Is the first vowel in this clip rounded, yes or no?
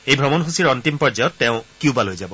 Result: no